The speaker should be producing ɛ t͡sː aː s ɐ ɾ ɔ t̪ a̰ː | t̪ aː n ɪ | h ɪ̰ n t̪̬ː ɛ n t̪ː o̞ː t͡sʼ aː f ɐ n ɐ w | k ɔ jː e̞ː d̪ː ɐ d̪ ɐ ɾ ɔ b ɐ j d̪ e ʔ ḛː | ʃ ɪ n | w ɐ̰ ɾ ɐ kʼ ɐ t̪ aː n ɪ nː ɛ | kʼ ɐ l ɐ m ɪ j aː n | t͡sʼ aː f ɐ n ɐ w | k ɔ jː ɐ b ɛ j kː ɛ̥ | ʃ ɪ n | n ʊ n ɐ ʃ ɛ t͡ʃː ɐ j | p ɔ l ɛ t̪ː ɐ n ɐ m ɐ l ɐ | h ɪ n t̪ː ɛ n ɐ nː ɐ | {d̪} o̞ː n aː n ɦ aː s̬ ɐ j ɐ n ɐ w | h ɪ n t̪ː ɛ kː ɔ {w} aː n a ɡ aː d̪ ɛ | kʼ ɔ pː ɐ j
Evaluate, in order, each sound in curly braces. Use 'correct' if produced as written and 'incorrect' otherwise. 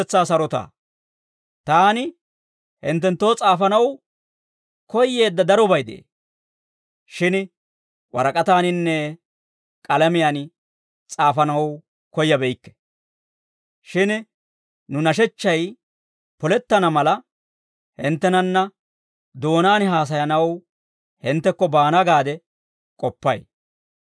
correct, incorrect: b

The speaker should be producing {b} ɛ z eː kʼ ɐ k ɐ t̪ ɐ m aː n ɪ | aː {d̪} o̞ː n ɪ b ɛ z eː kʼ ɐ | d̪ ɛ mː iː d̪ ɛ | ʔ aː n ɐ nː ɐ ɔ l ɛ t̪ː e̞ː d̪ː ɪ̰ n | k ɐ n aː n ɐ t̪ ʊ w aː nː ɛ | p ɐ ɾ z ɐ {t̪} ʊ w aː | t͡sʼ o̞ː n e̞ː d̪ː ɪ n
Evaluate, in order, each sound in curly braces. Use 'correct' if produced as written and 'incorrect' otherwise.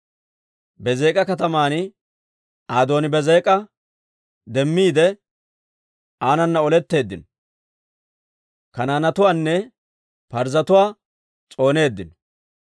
correct, correct, correct

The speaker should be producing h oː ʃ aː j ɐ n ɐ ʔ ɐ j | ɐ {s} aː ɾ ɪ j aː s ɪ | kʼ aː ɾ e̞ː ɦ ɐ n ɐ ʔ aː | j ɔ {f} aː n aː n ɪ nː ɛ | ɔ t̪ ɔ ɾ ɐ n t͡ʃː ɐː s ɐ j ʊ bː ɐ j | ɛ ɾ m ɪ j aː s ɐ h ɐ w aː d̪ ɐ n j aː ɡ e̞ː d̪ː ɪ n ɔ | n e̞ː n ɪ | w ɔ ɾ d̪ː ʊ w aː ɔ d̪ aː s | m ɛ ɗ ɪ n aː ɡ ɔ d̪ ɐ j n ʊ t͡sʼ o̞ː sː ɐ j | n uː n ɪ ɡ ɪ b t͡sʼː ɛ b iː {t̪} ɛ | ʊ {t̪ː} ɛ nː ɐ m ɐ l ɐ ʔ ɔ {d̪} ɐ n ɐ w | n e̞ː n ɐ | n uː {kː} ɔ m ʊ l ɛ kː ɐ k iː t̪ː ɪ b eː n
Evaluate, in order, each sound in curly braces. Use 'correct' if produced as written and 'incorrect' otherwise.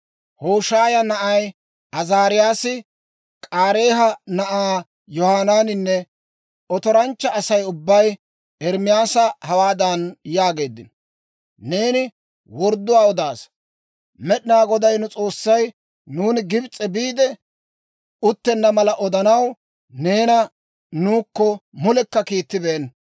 incorrect: z, incorrect: h, incorrect: d̪, correct, correct, correct

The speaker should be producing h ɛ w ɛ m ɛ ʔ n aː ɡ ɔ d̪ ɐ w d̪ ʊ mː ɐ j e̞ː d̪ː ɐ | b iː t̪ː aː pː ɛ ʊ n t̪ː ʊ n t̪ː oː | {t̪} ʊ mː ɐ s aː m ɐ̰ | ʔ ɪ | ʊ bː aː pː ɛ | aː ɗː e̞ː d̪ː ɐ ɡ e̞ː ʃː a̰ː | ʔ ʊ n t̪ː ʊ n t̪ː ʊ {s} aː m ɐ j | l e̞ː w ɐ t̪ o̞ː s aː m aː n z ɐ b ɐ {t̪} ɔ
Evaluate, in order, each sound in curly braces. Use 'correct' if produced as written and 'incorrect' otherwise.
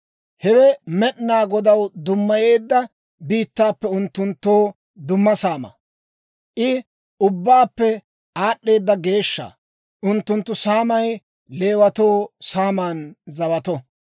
incorrect: d̪, correct, correct

